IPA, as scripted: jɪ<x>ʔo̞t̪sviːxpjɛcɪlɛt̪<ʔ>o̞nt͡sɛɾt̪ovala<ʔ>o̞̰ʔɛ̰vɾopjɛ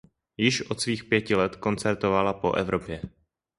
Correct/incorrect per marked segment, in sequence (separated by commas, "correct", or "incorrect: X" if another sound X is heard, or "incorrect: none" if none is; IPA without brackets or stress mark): incorrect: ʃ, incorrect: k, incorrect: p